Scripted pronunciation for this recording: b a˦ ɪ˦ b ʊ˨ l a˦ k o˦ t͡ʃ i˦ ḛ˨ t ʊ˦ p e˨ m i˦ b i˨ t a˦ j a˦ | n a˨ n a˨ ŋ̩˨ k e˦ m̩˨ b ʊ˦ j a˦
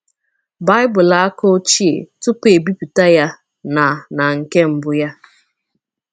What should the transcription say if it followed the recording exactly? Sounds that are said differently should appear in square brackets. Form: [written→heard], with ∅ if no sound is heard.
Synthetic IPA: b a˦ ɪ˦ b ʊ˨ l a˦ k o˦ t͡ʃ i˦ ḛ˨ t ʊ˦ p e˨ [m→b] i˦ [b→p] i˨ t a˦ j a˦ | n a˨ n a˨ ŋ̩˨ k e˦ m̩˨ b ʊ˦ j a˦